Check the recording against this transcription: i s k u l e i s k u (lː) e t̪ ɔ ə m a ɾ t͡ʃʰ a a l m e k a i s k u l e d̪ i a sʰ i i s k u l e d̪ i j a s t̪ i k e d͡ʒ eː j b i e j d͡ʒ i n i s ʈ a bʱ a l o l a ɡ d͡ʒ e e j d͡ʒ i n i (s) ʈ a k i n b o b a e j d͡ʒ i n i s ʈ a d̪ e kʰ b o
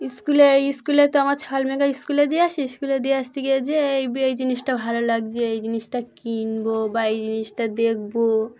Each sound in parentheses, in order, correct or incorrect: incorrect, correct

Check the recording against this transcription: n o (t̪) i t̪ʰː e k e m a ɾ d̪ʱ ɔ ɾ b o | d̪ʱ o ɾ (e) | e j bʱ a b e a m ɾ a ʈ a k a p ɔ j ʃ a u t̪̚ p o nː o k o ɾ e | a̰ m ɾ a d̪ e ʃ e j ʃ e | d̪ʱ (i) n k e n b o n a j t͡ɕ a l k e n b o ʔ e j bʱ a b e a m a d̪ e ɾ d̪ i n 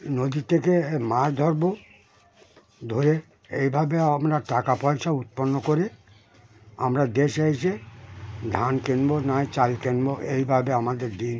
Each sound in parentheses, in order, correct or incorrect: incorrect, correct, incorrect

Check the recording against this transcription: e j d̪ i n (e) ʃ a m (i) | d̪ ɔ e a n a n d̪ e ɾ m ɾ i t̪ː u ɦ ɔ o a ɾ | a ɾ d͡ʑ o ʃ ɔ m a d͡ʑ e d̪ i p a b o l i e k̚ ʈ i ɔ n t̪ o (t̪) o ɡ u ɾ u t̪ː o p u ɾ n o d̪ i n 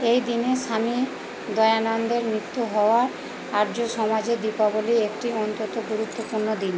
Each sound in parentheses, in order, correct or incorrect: correct, correct, correct

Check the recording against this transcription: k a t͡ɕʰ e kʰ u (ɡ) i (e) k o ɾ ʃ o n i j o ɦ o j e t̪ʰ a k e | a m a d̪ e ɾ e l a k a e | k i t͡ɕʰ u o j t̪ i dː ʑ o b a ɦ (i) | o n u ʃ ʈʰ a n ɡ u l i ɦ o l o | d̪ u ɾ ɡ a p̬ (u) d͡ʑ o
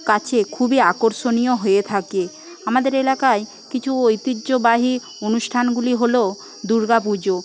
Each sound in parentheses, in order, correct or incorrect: incorrect, incorrect, correct, correct

